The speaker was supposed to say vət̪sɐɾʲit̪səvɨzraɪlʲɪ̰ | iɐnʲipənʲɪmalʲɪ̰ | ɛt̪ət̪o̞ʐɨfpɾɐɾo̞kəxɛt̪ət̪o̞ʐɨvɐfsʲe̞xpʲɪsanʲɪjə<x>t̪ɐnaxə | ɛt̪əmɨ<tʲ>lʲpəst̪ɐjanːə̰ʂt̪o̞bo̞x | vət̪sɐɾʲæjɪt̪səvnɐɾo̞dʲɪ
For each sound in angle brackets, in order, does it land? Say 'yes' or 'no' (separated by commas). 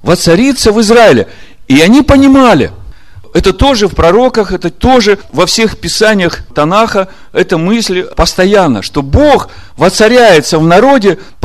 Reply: yes, no